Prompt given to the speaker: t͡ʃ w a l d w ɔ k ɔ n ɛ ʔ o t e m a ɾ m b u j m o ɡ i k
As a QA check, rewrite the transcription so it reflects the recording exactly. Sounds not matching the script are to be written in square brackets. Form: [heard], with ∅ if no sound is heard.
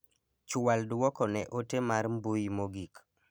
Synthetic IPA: t͡ʃ w a l d w ɔ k ɔ n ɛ ʔ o t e m a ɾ m b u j m o ɡ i k